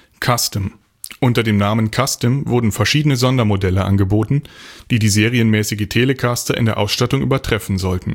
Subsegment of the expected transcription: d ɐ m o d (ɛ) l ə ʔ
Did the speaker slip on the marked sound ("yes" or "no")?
no